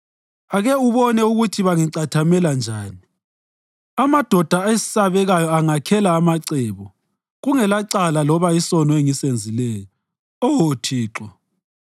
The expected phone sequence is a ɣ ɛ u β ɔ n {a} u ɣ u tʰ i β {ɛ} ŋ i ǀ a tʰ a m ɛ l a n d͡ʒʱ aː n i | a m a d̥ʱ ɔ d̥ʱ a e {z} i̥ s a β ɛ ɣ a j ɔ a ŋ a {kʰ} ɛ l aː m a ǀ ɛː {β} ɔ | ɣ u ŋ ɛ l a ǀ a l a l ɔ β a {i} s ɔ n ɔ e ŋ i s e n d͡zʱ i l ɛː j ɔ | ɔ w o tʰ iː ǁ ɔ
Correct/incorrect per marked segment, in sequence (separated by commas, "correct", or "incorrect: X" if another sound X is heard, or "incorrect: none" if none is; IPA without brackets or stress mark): incorrect: ɛ, incorrect: a, incorrect: s, correct, correct, correct